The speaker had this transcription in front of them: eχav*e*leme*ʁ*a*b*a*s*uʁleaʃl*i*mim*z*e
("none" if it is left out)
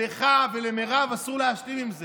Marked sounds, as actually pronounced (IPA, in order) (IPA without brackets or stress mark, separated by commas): e, ʁ, v, s, i, z